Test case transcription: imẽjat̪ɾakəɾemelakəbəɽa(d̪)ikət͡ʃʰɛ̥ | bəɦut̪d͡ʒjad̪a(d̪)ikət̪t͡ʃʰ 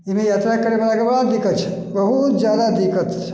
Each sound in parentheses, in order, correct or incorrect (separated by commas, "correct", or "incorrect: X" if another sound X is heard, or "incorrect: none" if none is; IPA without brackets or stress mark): correct, correct